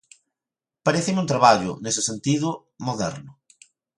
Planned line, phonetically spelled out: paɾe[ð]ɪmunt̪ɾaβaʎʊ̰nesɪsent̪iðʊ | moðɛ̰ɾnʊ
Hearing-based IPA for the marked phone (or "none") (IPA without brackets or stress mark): θ